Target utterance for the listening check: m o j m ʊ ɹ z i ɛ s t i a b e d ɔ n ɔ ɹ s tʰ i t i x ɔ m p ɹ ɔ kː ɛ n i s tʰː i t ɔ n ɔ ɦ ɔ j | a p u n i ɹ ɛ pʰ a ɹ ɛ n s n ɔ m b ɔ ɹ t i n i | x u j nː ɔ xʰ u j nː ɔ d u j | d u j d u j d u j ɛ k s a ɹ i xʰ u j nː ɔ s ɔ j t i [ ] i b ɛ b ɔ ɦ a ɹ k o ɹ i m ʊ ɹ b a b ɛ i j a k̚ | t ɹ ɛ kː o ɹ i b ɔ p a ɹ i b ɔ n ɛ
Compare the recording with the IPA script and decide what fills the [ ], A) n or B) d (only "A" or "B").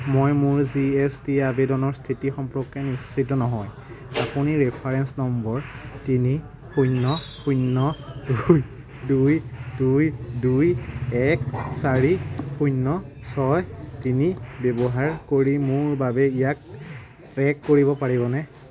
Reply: A